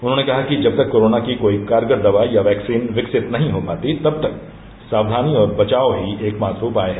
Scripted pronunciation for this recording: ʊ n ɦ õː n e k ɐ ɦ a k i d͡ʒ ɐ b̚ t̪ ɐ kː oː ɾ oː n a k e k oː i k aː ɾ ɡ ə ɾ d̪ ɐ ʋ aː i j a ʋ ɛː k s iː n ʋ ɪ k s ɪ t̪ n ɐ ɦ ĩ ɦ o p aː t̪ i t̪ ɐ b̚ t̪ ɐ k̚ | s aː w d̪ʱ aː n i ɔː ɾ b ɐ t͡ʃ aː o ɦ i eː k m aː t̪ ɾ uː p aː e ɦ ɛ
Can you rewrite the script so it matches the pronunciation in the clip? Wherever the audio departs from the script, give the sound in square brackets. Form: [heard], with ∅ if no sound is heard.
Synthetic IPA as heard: ʊ n ɦ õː n e k ɐ ɦ a k i d͡ʒ ɐ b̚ t̪ ɐ kː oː ɾ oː n a k [i] k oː i k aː ɾ ɡ ə ɾ d̪ ɐ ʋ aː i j a ʋ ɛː k s iː n ʋ ɪ k s ɪ t̪ n ɐ ɦ ĩ ɦ o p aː t̪ i t̪ ɐ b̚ t̪ ɐ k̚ | s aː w d̪ʱ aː n i ɔː ɾ b ɐ t͡ʃ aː o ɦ i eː k m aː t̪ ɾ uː p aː e ɦ ɛ

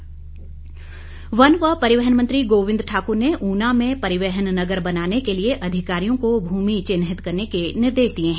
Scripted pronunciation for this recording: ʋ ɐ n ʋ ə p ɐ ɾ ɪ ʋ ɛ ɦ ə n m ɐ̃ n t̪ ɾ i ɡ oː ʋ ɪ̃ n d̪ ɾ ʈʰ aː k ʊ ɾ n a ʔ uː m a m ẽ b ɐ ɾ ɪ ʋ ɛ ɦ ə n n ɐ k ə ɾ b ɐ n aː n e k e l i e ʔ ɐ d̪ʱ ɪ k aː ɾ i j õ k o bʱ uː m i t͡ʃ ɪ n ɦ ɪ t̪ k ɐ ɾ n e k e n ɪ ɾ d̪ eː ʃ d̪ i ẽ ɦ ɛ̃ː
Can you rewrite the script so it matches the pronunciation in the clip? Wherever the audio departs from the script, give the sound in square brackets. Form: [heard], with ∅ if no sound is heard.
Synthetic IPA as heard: ʋ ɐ n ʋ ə p ɐ ɾ ɪ ʋ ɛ ɦ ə n m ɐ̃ n t̪ ɾ i ɡ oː ʋ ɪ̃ n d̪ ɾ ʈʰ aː k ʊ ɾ n [e] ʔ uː [n] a m ẽ [p] ɐ ɾ ɪ ʋ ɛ ɦ ə n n ɐ [ɡ] ə ɾ b ɐ n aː n e k e l i e ʔ ɐ d̪ʱ ɪ k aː ɾ i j õ k o bʱ uː m i t͡ʃ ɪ n ɦ ɪ t̪ k ɐ ɾ n e k e n ɪ ɾ d̪ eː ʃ d̪ i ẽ ɦ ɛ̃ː

